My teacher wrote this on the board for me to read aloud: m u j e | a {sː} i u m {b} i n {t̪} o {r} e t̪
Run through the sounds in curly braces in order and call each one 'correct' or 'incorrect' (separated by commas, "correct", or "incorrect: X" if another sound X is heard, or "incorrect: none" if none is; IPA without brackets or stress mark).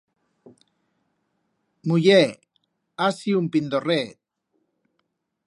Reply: incorrect: s, incorrect: p, incorrect: d̪, correct